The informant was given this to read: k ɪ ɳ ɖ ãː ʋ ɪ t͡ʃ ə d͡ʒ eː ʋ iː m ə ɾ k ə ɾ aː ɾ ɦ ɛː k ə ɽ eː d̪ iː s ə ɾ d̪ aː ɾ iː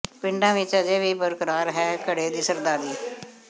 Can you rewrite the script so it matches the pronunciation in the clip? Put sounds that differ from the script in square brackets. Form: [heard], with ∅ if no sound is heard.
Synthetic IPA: [p] ɪ ɳ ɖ ãː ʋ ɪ t͡ʃ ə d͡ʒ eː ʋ iː [b] ə ɾ k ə ɾ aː ɾ ɦ ɛː k ə ɽ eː d̪ iː s ə ɾ d̪ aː ɾ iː